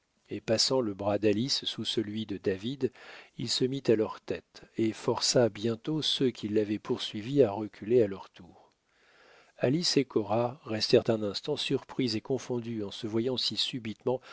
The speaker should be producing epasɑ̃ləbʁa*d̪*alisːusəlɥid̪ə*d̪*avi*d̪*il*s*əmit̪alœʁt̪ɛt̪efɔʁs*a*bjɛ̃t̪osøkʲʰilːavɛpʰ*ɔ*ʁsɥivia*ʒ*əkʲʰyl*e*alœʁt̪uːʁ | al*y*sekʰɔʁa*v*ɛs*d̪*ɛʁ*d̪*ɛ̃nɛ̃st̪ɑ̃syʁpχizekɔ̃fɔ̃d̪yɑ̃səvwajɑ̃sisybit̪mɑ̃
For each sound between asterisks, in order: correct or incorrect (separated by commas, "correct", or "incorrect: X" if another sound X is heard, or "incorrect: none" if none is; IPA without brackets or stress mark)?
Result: correct, correct, correct, correct, correct, incorrect: u, incorrect: ʁ, correct, incorrect: i, incorrect: ʁ, incorrect: t̪, incorrect: t̪